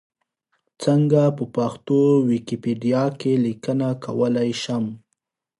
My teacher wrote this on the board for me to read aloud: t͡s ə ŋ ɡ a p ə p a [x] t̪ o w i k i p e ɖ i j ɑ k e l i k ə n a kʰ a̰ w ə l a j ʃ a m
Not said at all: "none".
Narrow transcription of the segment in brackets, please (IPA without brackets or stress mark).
x